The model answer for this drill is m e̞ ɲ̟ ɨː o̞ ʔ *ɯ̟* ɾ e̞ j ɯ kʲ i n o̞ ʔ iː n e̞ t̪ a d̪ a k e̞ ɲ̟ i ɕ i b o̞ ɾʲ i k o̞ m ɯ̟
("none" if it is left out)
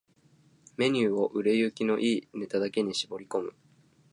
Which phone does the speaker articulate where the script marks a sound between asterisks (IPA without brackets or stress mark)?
ɯ̟